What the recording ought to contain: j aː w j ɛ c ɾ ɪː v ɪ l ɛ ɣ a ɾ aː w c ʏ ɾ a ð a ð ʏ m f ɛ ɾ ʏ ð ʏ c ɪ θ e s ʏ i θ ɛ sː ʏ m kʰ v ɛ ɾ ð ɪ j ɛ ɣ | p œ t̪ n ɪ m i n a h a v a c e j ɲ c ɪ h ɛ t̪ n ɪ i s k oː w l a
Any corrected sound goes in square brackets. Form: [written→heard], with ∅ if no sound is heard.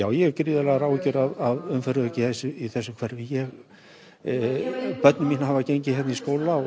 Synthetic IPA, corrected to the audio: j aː w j ɛ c ɾ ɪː [v→ð] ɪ l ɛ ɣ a ɾ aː w c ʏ ɾ a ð a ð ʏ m f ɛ ɾ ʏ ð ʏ c ɪ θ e s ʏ i θ ɛ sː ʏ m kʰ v ɛ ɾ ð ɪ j ɛ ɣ | p œ t̪ n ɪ m i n a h a v a c e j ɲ c ɪ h ɛ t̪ n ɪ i s k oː w l a

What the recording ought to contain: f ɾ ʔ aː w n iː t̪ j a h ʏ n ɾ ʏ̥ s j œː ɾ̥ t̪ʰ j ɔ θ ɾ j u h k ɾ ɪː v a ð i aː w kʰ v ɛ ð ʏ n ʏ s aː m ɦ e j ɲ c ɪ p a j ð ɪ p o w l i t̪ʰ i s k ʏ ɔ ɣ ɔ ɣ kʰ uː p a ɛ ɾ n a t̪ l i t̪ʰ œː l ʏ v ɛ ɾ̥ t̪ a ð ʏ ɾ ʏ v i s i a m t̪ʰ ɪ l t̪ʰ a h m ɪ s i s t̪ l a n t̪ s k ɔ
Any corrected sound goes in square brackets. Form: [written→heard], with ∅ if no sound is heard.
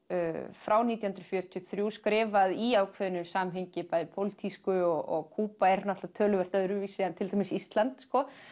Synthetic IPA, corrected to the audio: f ɾ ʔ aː w n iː t̪ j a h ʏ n ɾ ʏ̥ [s→f] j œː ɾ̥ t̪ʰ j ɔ θ ɾ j u [h→s] k ɾ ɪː v a ð i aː w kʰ v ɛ ð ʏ n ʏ s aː m ɦ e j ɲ c ɪ p a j ð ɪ [p→pʰ] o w l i t̪ʰ i s k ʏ ɔ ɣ ɔ ɣ kʰ uː p a ɛ ɾ n a t̪ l [i→a] t̪ʰ œː l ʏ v ɛ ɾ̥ t̪ a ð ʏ ɾ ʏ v i s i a [m→n] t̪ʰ ɪ l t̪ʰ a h m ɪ s i s t̪ l a n t̪ s k ɔ

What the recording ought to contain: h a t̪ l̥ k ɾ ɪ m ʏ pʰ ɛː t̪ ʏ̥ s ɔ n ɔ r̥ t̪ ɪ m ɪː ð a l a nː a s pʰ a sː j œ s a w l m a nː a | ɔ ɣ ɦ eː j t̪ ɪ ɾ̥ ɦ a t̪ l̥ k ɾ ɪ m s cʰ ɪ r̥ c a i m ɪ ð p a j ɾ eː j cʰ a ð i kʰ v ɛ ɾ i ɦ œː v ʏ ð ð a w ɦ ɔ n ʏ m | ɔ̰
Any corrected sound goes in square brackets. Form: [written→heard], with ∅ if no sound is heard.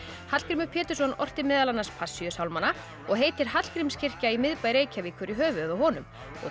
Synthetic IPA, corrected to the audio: h a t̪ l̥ k ɾ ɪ m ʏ pʰ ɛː t̪ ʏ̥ s ɔ n ɔ r̥ t̪ ɪ m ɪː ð a l a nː a s pʰ a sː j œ s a w l m a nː a | ɔ ɣ ɦ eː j t̪ ɪ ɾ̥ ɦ a t̪ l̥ k ɾ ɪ m s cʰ ɪ r̥ c a i m ɪ ð p a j ɾ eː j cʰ a [ð→v] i kʰ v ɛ ɾ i ɦ œː v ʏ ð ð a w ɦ ɔ n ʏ m | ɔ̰

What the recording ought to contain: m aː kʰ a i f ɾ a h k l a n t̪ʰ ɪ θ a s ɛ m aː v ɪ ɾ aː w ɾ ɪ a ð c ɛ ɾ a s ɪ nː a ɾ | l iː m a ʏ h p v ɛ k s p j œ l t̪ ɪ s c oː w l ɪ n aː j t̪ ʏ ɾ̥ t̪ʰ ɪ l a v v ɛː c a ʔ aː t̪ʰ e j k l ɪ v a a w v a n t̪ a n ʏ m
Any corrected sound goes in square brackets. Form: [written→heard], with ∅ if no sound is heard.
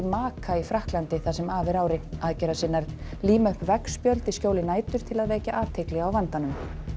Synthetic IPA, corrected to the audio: m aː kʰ a i f ɾ a h k l a n [t̪ʰ→t̪] ɪ θ a s ɛ m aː v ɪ ɾ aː w ɾ ɪ a ð c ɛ ɾ a s ɪ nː a ɾ | l iː m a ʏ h p v ɛ k s p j œ l t̪ ɪ s c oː w l ɪ n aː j t̪ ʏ ɾ̥ t̪ʰ ɪ l a [v→ð] v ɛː c a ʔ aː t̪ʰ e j k l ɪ [v→ɣ] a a w v a n t̪ a n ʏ m

